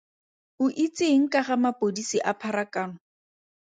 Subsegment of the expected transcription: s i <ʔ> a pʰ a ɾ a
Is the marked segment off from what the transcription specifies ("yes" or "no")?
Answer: no